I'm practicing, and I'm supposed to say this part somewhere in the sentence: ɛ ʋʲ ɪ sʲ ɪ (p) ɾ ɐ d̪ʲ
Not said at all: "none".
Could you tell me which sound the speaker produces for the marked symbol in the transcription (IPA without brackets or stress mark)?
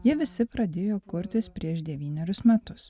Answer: p